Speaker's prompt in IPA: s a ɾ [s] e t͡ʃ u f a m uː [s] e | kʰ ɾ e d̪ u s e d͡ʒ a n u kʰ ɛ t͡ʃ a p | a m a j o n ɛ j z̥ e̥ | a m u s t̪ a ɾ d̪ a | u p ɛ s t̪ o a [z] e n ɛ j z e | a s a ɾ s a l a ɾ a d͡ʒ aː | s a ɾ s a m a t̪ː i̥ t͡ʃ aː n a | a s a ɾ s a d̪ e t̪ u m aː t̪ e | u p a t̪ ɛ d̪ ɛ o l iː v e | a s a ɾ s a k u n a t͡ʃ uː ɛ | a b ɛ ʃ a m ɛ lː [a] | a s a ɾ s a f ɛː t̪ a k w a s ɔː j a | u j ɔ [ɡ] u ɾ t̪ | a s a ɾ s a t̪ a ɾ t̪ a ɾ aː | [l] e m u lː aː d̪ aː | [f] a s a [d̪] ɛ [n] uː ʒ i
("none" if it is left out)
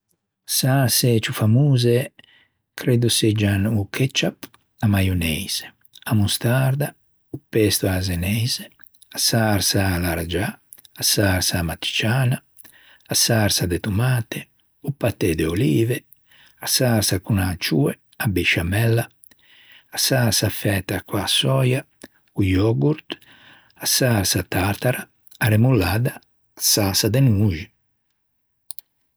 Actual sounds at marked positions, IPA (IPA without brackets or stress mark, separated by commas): s, z, z, a, ɡ, ɾ, s, d̪, n